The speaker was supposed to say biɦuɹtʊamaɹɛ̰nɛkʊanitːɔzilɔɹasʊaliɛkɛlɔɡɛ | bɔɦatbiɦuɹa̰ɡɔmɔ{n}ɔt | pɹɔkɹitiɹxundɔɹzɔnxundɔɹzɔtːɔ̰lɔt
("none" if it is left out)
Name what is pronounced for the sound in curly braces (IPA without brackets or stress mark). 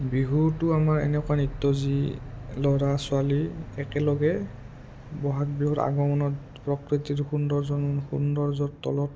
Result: n